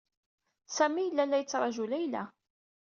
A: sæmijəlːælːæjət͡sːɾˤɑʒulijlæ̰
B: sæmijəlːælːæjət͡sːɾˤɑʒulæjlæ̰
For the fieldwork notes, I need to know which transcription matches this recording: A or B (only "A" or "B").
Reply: B